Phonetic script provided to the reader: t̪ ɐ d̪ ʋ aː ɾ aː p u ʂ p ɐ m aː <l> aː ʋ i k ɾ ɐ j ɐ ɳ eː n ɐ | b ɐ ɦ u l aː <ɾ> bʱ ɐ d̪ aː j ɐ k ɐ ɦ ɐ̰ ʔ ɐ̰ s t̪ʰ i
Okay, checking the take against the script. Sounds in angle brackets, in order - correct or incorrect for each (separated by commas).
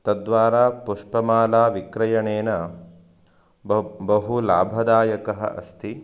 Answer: correct, incorrect